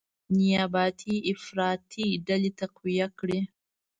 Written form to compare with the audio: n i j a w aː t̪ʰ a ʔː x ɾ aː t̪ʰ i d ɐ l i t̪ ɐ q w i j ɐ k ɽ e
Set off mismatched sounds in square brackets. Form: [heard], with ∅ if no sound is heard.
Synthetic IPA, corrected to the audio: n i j a [b] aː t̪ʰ [i] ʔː [f] ɾ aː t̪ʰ i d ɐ l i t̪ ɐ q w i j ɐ k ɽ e